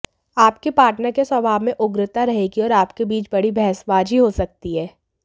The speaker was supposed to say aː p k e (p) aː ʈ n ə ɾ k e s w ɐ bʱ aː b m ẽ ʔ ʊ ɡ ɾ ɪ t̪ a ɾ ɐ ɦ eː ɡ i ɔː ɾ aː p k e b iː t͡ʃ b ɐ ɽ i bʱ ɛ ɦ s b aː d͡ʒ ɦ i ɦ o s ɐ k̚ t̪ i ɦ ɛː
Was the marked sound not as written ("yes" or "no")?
no